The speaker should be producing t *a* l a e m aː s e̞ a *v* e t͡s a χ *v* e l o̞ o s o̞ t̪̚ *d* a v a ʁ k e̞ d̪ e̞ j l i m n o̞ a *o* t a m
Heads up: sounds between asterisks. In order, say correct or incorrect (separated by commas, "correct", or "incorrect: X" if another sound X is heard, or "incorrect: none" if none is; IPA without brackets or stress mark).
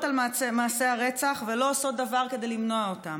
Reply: correct, incorrect: ʁ, correct, correct, correct